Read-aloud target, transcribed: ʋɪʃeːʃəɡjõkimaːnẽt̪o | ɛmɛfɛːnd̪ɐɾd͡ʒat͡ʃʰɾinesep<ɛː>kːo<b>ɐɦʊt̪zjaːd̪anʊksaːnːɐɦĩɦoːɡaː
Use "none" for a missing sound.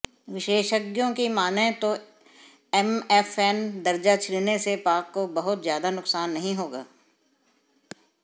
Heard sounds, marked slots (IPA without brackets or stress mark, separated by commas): aː, b